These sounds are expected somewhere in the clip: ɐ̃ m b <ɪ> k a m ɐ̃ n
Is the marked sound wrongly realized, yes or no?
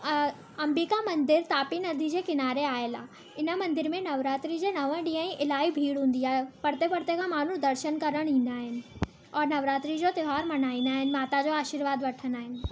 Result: yes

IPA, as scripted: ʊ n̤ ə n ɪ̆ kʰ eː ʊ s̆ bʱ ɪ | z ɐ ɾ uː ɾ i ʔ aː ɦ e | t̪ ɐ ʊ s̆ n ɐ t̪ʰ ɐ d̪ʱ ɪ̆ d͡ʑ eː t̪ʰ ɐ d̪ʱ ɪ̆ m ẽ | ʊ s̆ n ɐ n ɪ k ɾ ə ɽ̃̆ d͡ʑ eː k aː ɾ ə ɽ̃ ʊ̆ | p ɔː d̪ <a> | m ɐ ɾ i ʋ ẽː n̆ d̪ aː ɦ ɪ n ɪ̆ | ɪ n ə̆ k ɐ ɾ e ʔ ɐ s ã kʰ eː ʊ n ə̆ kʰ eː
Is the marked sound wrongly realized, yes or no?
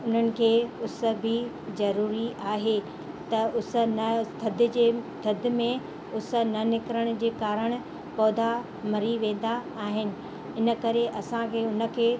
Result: no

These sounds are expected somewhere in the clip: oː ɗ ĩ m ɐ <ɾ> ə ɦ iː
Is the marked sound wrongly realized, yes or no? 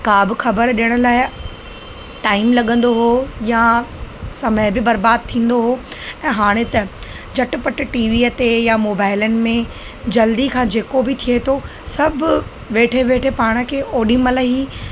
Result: yes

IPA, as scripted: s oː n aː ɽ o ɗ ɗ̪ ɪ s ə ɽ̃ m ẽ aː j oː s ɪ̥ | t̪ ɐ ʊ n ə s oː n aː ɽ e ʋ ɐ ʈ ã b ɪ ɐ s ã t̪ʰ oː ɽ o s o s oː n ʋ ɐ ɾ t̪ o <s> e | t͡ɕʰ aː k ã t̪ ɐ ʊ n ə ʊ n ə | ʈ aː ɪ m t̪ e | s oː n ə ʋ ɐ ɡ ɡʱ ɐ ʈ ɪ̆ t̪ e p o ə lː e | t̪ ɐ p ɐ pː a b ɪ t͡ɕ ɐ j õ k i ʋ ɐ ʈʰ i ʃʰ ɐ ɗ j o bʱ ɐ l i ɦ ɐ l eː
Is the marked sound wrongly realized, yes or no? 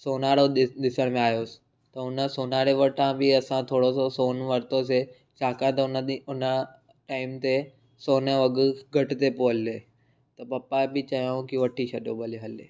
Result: no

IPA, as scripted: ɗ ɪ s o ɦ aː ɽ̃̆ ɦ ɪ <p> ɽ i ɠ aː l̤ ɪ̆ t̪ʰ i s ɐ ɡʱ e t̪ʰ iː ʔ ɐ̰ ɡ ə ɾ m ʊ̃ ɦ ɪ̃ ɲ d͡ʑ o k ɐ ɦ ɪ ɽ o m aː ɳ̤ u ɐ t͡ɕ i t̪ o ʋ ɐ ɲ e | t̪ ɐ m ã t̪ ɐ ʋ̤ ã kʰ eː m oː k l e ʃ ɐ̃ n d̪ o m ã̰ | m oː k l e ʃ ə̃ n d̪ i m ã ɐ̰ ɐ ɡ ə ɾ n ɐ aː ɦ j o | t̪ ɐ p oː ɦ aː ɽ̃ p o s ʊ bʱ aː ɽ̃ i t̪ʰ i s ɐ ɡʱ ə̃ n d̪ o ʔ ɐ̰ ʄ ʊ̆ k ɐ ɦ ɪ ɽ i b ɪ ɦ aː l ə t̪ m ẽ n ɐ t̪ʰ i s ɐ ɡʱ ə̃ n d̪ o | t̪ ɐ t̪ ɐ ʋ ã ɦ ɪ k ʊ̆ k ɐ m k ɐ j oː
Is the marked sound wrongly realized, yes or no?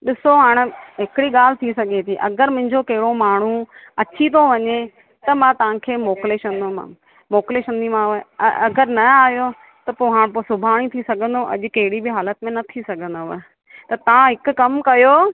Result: yes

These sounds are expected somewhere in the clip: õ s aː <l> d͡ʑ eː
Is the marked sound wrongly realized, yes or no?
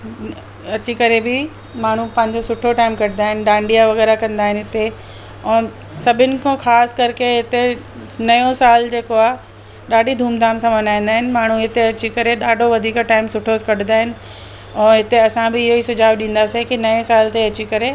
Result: no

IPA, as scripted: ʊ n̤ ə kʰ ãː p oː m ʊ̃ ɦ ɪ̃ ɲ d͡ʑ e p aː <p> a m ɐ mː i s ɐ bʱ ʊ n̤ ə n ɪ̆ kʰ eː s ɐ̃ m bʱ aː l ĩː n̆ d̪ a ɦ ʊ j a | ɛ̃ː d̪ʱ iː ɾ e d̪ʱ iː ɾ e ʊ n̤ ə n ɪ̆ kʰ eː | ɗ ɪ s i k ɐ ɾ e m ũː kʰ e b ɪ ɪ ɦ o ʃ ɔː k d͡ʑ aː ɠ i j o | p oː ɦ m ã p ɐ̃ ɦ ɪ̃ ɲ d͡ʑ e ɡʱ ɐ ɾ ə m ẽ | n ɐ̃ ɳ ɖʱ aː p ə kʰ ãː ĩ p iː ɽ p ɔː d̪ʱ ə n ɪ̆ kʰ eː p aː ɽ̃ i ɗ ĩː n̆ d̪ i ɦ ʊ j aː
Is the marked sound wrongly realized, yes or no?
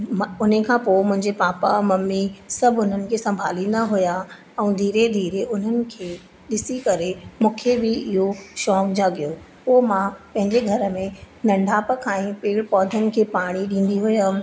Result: no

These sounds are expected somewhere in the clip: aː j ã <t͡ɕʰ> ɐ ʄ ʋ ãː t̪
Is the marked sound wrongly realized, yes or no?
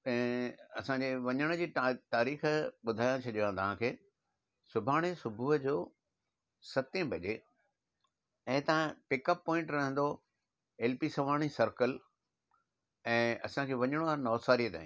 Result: no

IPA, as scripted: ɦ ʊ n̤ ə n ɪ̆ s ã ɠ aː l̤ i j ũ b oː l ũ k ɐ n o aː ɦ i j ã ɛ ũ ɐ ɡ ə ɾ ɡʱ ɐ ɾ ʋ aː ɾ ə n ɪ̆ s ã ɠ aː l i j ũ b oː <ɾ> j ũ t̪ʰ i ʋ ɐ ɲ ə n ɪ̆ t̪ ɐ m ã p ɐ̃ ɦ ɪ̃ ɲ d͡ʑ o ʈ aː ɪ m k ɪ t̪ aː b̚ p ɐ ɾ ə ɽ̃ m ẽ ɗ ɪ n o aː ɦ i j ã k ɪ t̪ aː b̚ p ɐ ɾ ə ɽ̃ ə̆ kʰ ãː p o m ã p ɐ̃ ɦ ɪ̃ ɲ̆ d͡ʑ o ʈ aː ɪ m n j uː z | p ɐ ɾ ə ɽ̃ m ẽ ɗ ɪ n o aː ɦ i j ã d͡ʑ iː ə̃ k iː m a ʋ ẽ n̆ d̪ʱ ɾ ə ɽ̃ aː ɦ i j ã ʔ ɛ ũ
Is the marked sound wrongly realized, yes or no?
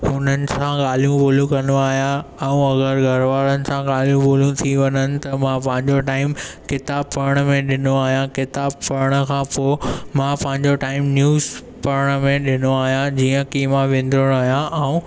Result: yes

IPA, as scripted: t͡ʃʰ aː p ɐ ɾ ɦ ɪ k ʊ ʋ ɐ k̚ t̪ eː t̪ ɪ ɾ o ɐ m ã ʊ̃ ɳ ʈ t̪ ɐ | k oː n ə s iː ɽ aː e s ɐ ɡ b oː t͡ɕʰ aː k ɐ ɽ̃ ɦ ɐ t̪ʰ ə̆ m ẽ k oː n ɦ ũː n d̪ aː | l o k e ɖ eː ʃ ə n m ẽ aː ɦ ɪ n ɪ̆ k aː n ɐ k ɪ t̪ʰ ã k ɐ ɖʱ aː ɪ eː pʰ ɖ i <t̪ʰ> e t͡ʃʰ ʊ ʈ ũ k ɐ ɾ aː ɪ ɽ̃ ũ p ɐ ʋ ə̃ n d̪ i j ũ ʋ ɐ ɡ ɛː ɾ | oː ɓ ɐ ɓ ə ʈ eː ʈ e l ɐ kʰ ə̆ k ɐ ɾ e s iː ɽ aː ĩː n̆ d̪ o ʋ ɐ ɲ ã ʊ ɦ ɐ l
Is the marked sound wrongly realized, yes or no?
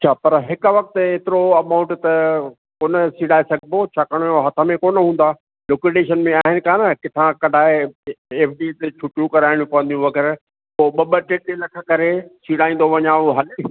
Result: yes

